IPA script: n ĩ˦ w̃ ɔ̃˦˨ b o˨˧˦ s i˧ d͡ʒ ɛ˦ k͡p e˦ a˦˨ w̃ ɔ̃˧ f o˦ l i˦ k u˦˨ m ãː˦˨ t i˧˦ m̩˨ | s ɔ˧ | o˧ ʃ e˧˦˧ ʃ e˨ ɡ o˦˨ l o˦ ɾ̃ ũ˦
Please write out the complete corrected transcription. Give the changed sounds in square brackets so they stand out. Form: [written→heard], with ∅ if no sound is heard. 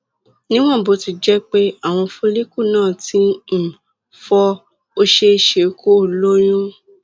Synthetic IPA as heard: n ĩ˦ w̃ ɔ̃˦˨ b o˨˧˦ [s→t] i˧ d͡ʒ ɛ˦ k͡p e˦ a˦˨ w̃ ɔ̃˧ f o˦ l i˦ k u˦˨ [m→n] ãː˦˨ t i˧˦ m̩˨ | [s→f] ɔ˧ | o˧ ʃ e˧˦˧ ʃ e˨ [ɡ→k] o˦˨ l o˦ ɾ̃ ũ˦

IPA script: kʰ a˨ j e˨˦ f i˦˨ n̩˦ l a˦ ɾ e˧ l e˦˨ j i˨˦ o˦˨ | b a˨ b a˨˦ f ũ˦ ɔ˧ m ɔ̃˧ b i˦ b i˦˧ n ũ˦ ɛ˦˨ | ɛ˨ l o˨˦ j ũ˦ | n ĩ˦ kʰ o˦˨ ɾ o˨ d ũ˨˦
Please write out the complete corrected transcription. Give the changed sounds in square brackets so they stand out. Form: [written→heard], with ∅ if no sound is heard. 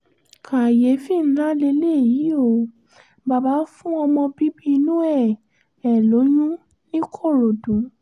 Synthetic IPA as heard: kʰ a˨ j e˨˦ f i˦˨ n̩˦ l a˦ [ɾ→l] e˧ l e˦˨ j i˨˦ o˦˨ | b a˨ b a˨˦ f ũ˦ ɔ˧ m ɔ̃˧ b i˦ b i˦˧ n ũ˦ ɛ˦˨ | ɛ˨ l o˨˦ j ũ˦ | n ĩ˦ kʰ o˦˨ ɾ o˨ d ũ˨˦

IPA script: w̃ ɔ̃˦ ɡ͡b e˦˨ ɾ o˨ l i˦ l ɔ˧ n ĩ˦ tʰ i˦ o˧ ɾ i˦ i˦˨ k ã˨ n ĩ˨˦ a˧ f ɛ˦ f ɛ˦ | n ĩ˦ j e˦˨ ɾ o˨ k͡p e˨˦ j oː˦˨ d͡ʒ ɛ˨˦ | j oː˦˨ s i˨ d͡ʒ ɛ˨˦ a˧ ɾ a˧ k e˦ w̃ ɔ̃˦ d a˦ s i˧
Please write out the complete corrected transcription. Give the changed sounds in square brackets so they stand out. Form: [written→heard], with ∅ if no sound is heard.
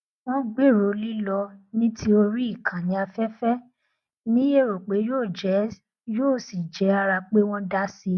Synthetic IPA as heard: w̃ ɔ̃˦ ɡ͡b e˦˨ ɾ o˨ l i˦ l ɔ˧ n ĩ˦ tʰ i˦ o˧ ɾ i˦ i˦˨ k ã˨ n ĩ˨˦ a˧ f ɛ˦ f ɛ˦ | n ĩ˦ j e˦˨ ɾ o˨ k͡p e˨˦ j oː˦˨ d͡ʒ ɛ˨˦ | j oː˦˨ s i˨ d͡ʒ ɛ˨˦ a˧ ɾ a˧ [k→k͡p] e˦ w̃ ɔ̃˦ d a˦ s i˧

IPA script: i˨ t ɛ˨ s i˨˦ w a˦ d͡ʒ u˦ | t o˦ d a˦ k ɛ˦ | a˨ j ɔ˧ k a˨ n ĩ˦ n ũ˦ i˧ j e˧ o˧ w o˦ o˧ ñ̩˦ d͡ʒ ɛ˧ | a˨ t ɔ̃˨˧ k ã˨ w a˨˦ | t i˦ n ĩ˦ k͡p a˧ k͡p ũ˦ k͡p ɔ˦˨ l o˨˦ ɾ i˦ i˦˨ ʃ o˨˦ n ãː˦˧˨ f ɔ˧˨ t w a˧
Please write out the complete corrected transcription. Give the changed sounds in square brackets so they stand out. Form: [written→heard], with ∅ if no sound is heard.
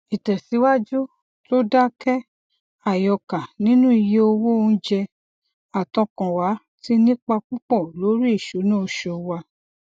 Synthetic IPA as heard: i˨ t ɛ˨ s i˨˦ w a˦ d͡ʒ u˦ | t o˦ d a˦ k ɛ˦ | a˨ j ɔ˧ k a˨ n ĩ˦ n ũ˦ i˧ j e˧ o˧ w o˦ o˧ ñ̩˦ d͡ʒ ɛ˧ | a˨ t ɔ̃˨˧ k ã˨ w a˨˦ | t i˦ n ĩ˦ k͡p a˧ k͡p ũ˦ k͡p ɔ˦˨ l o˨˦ ɾ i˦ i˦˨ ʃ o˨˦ n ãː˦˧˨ [f→ʃ] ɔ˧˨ [t→∅] w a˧

